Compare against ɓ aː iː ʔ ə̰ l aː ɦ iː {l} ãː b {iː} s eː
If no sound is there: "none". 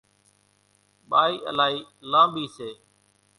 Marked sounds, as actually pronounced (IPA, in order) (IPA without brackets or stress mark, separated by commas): l, iː